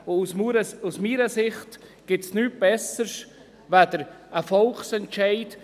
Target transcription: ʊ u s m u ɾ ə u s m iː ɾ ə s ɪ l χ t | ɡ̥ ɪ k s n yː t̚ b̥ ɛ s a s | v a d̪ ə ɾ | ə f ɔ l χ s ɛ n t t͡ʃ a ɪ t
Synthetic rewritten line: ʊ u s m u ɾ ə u s m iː ɾ ə s ɪ χ t | ɡ̥ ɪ t s n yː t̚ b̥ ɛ s ə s | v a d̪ ə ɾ | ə f ɔ l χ s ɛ n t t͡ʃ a ɪ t